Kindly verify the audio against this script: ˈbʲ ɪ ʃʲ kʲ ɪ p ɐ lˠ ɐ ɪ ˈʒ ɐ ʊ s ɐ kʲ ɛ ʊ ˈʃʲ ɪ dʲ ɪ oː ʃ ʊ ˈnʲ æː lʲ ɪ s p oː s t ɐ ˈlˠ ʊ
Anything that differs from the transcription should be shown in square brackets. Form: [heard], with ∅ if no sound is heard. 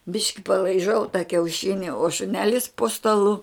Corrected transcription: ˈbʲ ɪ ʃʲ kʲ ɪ p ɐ lˠ ɐ ɪ ˈʒ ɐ ʊ [t] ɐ kʲ ɛ ʊ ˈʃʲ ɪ [nʲ] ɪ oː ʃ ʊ ˈnʲ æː lʲ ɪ s p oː s t ɐ ˈlˠ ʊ